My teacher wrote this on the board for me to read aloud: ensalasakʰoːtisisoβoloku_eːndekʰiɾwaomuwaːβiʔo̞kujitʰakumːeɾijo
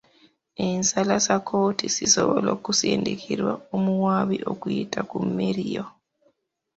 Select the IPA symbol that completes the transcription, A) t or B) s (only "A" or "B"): B